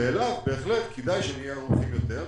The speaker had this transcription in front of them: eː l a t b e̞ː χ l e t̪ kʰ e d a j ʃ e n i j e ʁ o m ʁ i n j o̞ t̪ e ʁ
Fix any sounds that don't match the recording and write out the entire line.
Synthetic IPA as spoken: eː l a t b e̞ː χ l e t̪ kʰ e d a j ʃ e n i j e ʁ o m χ i m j o̞ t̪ e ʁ